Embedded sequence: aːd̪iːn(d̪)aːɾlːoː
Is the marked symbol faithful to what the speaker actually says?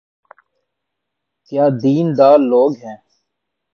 yes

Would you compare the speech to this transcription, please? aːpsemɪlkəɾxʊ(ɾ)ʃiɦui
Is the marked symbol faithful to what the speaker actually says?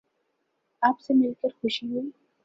no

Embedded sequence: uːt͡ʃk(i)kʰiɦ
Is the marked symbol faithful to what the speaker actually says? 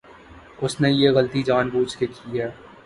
no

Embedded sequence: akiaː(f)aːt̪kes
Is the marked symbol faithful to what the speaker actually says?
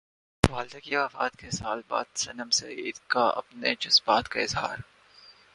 yes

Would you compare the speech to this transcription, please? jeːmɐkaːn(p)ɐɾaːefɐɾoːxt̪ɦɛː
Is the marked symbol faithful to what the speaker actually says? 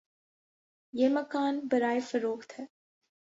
no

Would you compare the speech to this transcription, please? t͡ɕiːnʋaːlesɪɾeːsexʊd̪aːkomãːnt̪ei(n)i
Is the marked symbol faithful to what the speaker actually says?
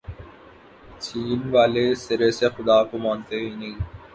yes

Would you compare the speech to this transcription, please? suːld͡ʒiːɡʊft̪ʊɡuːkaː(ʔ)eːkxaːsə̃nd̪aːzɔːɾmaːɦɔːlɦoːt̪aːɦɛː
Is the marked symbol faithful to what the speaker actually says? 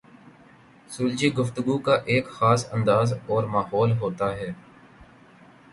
yes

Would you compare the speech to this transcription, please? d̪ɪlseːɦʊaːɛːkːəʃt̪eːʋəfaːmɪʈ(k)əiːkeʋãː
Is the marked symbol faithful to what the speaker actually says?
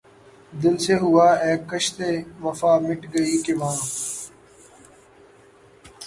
no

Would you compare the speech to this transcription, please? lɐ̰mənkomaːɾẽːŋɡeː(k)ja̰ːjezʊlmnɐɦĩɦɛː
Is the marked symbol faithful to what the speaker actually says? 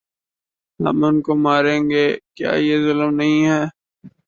yes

